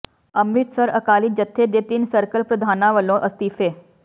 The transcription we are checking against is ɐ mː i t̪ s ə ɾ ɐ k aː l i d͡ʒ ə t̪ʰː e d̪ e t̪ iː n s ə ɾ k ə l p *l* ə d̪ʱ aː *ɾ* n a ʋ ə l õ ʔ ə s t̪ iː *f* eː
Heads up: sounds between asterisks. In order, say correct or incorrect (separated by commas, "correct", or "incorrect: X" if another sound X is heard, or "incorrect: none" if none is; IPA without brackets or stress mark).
incorrect: ɾ, incorrect: none, correct